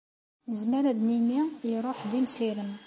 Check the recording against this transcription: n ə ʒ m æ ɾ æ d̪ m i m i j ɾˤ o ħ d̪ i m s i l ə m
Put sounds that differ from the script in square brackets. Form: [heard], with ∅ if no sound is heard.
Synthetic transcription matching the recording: n ə [z] m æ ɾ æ d̪ [n] i [n] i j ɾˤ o ħ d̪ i m s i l ə m